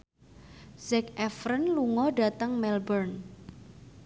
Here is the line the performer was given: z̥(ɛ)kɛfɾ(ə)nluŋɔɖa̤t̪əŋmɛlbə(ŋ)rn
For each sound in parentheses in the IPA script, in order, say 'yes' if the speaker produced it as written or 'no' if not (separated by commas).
yes, yes, no